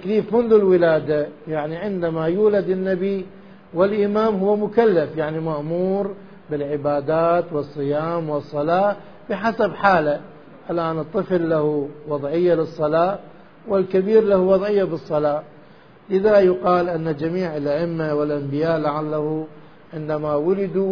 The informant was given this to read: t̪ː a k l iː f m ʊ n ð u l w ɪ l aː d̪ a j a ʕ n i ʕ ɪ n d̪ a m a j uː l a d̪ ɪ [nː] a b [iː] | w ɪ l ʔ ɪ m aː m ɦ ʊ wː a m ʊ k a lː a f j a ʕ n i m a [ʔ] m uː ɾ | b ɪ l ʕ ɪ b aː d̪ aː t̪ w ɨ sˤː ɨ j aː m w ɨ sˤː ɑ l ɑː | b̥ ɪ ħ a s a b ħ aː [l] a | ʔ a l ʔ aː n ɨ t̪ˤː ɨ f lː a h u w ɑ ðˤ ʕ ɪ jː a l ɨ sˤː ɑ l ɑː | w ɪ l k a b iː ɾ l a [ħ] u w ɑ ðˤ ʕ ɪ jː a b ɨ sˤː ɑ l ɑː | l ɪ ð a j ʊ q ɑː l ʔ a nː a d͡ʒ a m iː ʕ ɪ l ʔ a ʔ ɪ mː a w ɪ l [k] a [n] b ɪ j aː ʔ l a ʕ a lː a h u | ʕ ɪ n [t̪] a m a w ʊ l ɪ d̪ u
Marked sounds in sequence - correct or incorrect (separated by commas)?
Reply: correct, incorrect, correct, correct, incorrect, incorrect, incorrect, incorrect